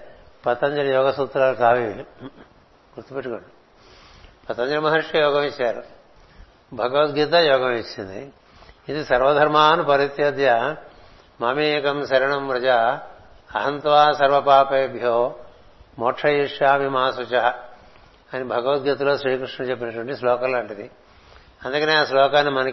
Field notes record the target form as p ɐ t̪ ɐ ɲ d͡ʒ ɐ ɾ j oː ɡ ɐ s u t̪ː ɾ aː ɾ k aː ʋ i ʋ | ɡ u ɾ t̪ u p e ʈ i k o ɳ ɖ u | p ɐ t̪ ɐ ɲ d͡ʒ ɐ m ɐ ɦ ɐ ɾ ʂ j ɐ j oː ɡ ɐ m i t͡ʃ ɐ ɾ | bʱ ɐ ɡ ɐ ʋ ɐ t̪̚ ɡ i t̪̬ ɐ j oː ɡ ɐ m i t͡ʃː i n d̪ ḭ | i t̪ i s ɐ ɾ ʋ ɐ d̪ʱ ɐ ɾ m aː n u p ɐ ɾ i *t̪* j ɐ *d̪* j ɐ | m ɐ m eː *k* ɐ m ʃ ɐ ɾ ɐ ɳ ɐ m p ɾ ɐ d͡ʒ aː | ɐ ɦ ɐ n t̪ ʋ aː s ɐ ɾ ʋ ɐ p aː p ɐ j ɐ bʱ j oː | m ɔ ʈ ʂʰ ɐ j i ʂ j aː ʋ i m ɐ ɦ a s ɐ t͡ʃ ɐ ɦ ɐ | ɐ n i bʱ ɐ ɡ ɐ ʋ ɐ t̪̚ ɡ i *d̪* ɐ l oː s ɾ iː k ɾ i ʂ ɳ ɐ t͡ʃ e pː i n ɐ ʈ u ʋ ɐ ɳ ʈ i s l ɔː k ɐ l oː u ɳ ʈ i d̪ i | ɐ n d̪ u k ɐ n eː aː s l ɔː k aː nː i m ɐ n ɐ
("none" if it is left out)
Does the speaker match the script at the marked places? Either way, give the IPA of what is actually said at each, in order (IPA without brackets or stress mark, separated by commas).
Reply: t̪, d̪, k, t̪